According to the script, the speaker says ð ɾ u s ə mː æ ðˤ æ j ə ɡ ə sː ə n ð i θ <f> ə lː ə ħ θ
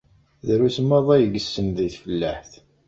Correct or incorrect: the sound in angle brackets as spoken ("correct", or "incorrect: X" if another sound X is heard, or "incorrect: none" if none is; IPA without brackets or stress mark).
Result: correct